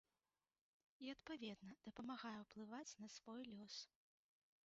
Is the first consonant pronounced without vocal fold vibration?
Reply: yes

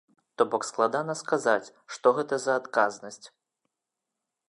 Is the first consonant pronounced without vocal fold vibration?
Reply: yes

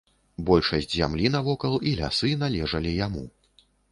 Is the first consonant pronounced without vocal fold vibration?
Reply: no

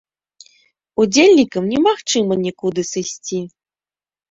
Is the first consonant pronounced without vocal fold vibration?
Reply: no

